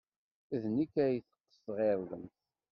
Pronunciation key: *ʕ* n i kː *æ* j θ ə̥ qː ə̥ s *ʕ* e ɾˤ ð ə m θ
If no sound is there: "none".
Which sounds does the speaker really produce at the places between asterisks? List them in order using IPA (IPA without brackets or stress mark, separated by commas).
ð, æ, ʁ